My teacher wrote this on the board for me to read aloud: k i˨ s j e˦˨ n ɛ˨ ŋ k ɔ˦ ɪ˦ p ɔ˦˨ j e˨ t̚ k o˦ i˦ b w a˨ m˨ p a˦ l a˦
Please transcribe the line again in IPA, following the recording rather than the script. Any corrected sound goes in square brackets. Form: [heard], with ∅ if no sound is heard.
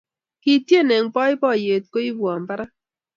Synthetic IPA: k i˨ [t] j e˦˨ n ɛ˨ ŋ [p] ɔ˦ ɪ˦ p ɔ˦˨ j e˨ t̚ k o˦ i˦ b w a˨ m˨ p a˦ [ɾ] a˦